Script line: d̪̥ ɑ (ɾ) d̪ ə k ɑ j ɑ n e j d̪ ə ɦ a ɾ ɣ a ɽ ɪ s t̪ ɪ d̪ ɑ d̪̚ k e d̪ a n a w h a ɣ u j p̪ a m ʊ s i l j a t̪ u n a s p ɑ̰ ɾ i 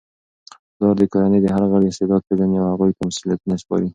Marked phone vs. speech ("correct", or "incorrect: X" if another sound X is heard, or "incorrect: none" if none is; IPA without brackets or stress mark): correct